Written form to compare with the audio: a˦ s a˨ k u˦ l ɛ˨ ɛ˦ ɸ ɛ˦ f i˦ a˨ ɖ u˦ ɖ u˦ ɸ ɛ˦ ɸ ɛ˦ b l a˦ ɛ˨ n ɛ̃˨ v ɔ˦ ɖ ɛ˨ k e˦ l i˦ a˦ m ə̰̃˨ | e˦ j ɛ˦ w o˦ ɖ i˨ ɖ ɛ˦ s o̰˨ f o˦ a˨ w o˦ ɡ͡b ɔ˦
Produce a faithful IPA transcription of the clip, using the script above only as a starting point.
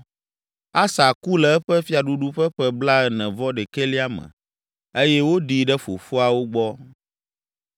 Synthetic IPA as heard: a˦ s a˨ k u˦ l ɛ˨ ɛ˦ ɸ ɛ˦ f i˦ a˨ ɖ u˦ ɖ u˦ ɸ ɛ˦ ɸ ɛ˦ b l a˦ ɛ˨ n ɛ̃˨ v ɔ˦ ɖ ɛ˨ k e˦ l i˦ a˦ m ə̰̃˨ | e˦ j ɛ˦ w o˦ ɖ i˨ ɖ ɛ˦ f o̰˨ f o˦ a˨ w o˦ ɡ͡b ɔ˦